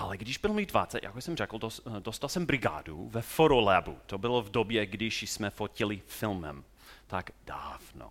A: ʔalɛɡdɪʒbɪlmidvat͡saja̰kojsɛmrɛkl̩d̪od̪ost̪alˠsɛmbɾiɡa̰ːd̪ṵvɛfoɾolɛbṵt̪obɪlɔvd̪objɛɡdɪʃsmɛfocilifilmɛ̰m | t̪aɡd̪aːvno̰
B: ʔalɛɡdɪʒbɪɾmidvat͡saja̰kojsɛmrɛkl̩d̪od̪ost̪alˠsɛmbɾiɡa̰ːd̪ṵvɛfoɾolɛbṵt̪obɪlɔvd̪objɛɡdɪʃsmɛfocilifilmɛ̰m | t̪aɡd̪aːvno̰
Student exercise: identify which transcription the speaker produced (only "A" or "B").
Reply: A